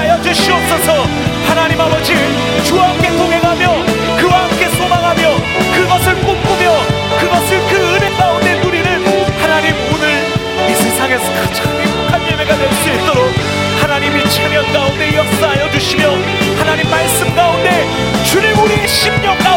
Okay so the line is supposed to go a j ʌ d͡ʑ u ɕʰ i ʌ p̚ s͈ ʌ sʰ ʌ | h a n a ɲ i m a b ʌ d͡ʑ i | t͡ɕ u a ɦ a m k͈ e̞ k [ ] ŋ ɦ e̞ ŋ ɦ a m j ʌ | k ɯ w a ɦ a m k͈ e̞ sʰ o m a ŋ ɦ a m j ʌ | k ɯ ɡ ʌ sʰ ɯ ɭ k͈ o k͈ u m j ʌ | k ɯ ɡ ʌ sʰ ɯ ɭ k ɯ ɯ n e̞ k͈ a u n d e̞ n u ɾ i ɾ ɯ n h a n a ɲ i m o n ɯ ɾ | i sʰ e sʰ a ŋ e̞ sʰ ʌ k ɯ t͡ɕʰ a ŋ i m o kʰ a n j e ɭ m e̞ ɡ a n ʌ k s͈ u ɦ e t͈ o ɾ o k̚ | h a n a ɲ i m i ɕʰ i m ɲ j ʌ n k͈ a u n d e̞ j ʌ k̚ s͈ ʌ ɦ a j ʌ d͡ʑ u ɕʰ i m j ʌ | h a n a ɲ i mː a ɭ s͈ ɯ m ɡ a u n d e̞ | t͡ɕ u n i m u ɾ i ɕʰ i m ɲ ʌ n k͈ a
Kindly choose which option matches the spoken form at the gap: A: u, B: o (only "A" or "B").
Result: B